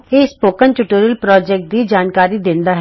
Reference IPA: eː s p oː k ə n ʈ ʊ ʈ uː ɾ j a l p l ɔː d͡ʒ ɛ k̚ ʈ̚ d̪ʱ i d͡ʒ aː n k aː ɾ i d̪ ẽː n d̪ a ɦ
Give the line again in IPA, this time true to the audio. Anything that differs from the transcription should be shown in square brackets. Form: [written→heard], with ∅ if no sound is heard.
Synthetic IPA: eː s p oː k ə n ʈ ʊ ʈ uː ɾ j [a→ə] l p [l→ɾ] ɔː d͡ʒ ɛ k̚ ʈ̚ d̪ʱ i d͡ʒ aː n k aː ɾ i d̪ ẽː n d̪ a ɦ

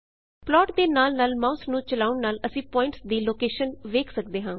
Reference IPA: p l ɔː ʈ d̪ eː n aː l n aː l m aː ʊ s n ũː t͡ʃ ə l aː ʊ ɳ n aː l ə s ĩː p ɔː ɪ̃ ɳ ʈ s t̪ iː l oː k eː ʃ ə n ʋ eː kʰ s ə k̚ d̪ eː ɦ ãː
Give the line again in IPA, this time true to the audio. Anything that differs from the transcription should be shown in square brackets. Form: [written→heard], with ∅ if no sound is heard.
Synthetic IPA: p l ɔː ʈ d̪ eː n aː l n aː l m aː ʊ s n ũː t͡ʃ ə l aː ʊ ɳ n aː l ə s ĩː p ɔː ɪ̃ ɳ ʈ s [t̪→d̪] iː l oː k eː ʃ ə n ʋ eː kʰ s ə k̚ d̪ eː ɦ ãː

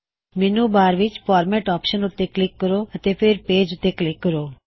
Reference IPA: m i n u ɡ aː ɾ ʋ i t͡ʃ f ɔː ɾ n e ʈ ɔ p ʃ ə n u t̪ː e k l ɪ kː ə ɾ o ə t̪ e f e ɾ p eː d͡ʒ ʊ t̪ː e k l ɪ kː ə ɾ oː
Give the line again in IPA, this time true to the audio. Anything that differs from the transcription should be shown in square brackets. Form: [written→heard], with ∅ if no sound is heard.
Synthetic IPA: m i n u [ɡ→b] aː ɾ ʋ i t͡ʃ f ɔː ɾ [n→m] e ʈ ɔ p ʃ ə n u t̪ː e k l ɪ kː ə ɾ o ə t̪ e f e ɾ p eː d͡ʒ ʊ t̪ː e k l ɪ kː ə ɾ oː

